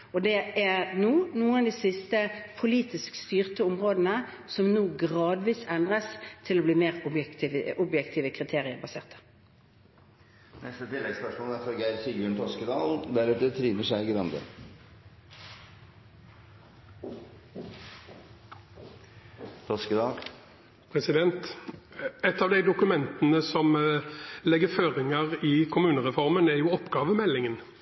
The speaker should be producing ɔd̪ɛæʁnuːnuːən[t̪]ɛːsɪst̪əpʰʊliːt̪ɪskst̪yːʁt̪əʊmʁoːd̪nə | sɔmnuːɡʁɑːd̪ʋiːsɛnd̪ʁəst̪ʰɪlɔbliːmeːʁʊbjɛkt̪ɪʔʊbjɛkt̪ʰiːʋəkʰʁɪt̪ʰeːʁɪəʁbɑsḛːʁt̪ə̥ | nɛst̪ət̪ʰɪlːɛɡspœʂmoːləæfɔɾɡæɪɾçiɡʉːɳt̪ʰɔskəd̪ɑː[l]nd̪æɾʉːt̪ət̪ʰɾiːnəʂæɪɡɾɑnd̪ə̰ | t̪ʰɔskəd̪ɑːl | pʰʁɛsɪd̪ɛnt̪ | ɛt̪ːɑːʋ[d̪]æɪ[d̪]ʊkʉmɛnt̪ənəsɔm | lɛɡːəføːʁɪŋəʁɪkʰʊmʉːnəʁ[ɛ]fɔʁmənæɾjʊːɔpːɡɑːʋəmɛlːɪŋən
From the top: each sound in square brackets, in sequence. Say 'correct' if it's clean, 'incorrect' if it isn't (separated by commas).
incorrect, correct, correct, correct, correct